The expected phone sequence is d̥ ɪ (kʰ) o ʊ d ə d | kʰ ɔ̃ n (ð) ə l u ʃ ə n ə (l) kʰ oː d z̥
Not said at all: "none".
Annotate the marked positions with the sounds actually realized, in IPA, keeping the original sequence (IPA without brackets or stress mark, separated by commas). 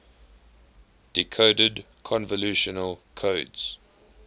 kʰ, v, l